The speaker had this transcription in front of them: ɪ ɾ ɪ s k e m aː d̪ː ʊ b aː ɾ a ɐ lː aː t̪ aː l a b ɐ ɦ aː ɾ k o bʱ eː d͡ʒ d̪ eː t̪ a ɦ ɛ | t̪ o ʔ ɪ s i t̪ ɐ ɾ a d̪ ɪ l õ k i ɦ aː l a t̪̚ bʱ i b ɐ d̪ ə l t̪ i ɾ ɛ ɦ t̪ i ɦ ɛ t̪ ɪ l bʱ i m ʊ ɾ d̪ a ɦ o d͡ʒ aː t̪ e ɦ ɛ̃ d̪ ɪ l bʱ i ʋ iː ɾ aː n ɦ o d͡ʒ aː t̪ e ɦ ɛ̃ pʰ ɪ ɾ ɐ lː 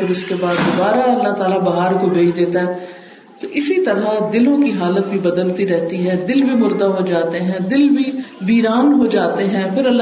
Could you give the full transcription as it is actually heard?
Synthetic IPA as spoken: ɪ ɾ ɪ s k e b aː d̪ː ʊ b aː ɾ a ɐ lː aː t̪ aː l a b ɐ ɦ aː ɾ k o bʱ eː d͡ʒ d̪ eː t̪ a ɦ ɛ | t̪ o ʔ ɪ s i t̪ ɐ ɾ a d̪ ɪ l õ k i ɦ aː l ə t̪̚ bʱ i b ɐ d̪ ə l t̪ i ɾ ɛ ɦ t̪ i ɦ ɛ d̪ ɪ l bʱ i m ʊ ɾ d̪ a ɦ o d͡ʒ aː t̪ e ɦ ɛ̃ d̪ ɪ l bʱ i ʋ iː ɾ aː n ɦ o d͡ʒ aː t̪ e ɦ ɛ̃ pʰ ɪ ɾ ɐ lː